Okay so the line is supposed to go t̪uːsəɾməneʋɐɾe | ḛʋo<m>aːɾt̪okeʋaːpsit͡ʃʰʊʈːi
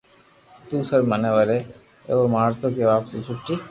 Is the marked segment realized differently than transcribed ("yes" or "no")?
no